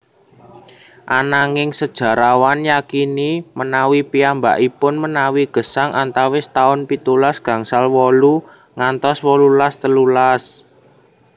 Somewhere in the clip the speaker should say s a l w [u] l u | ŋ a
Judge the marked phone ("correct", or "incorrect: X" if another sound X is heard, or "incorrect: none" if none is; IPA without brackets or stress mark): incorrect: ɔ